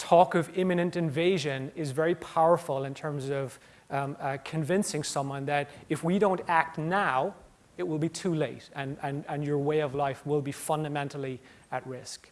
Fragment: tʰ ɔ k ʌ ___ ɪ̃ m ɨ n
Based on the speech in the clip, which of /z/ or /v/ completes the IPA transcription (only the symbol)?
v